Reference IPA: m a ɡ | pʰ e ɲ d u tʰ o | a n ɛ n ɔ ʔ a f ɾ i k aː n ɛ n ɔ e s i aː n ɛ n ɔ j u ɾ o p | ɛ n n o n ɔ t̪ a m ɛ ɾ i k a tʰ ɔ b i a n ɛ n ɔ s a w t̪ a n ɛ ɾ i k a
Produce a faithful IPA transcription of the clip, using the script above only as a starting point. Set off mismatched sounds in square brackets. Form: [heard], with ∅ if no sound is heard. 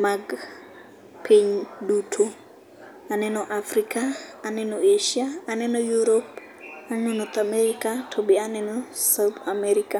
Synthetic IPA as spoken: m a ɡ | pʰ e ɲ d u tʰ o | a n ɛ n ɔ ʔ a f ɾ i k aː n ɛ n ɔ e [ʃ] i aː n ɛ n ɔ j u ɾ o p | [a] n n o n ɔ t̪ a m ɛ ɾ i k a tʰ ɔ b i a n ɛ n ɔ s a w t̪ a [m] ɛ ɾ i k a